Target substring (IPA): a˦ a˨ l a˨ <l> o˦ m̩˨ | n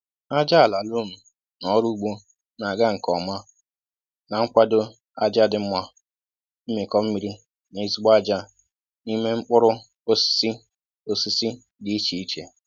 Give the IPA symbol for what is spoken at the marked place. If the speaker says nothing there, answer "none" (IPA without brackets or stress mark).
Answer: l